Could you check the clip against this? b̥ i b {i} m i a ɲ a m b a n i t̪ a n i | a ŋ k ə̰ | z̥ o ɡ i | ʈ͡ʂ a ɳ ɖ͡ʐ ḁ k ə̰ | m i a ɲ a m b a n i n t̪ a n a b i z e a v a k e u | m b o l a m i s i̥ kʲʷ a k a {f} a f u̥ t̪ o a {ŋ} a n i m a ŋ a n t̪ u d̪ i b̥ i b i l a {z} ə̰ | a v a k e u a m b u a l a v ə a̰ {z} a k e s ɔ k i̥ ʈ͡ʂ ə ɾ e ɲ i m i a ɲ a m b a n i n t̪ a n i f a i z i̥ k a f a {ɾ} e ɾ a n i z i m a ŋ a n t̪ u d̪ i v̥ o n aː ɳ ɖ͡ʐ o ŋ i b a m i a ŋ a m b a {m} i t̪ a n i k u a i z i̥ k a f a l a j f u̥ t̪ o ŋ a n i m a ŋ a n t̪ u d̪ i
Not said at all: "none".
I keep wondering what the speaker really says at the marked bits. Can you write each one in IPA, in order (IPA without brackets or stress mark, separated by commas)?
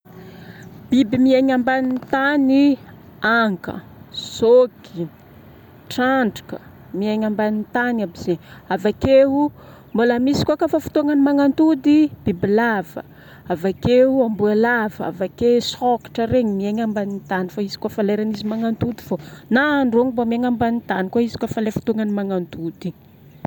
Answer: i, f, ŋ, v, v, l, n